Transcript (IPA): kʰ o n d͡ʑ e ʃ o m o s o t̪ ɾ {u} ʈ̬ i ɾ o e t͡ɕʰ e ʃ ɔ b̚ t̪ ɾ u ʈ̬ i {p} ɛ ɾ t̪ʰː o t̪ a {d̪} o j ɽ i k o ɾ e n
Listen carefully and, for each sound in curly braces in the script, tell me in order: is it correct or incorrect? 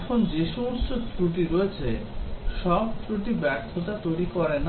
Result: correct, incorrect, incorrect

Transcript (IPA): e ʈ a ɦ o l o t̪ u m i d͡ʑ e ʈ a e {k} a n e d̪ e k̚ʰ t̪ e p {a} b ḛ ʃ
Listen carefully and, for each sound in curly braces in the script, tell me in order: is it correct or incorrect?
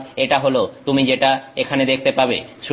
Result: incorrect, correct

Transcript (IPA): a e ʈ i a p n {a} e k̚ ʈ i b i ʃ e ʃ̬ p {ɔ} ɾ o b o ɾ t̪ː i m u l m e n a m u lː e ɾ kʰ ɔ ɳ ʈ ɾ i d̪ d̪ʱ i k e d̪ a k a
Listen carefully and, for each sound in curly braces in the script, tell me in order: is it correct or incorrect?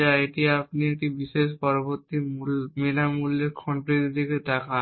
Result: incorrect, correct

